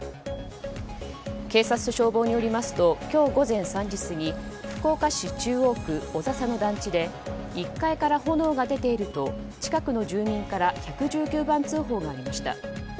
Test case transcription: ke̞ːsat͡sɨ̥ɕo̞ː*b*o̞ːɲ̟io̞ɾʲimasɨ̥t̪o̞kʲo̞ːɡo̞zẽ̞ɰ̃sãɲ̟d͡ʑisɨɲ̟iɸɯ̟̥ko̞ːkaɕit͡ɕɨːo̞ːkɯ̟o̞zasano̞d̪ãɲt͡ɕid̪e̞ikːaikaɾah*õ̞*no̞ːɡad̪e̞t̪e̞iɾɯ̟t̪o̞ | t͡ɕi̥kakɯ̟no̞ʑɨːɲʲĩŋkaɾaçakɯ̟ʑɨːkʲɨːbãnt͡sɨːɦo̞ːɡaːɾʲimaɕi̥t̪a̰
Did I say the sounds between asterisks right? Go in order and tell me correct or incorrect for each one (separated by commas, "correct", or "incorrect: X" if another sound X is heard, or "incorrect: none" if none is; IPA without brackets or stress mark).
correct, incorrect: o̞